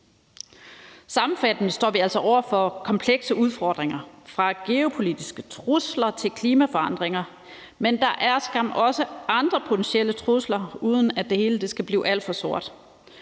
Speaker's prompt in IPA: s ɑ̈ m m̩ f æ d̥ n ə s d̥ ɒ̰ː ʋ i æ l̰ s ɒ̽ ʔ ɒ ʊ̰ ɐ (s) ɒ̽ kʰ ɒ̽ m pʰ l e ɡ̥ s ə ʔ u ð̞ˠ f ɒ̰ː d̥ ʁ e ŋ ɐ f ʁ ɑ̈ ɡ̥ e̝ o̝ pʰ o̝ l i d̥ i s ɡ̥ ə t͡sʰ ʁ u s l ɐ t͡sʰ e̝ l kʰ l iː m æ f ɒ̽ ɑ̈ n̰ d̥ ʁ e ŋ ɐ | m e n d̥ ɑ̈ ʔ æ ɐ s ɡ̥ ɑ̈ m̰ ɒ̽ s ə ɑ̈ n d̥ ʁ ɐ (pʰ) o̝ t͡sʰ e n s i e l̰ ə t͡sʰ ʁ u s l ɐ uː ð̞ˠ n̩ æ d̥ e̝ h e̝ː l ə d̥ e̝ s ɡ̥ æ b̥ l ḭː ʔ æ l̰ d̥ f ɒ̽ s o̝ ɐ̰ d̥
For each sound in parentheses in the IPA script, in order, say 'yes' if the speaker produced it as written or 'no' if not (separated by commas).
no, yes